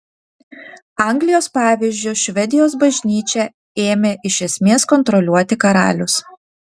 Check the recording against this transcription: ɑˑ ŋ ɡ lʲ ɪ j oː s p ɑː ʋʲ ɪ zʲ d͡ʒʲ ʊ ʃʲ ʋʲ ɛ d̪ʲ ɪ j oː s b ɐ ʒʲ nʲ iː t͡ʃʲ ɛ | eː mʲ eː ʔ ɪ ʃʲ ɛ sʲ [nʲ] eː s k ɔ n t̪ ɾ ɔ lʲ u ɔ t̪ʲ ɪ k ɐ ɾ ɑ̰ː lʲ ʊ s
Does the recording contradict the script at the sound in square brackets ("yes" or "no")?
yes